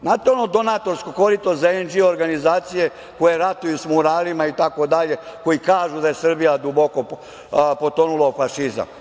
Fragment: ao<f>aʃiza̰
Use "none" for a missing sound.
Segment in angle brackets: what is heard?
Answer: f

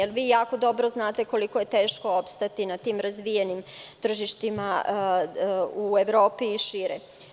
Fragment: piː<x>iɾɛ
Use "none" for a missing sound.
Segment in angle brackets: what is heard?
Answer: ʃ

